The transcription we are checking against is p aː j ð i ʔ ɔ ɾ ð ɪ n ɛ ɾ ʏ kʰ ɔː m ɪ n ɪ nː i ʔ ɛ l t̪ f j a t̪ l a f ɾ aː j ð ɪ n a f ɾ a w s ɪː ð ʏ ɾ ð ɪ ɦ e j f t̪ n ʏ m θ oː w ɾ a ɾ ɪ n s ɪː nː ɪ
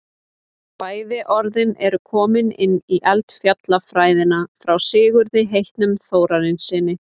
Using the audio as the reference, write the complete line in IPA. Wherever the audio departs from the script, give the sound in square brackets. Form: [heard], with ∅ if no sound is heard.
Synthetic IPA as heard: p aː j ð [ɪ] ʔ ɔ ɾ ð ɪ n ɛ ɾ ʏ kʰ ɔː m ɪ n ɪ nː i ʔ ɛ l t̪ f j a t̪ l a f ɾ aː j ð ɪ n a f ɾ a w s ɪː [ɣ] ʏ ɾ ð ɪ ɦ e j [h] t̪ n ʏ m θ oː w ɾ a ɾ ɪ n s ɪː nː ɪ